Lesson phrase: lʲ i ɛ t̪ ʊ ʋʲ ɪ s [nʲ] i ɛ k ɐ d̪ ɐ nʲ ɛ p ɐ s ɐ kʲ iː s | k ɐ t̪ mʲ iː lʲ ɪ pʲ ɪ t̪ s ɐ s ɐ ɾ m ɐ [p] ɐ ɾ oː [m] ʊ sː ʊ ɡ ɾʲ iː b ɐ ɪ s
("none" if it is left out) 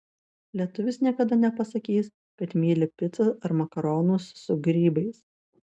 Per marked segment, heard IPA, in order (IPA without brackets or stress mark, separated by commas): nʲ, k, n